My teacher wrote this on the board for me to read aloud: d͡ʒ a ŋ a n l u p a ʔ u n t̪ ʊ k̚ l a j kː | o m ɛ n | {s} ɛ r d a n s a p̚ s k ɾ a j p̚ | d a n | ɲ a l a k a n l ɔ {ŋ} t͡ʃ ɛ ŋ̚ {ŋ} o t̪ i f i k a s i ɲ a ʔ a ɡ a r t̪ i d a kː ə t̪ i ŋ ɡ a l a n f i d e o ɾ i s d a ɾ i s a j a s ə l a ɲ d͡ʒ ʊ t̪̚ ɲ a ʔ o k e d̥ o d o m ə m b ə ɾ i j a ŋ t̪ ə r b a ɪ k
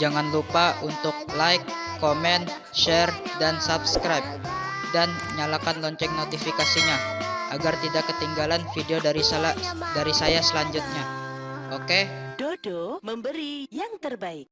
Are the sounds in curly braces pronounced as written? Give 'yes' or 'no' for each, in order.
no, no, no

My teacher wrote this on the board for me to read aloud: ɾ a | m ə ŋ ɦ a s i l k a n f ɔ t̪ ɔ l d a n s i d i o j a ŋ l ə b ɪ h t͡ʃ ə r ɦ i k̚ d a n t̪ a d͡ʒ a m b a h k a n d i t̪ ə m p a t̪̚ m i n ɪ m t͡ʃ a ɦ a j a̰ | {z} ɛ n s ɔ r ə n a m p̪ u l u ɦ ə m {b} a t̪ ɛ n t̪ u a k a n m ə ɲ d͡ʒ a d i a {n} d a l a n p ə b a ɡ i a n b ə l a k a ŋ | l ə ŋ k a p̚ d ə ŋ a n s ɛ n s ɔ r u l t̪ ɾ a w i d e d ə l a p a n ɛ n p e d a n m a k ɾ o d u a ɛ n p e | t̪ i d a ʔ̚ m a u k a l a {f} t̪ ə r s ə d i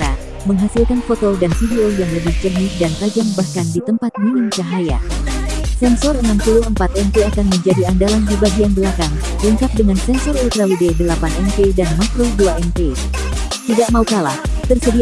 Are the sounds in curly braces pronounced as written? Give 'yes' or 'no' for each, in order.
no, no, yes, no

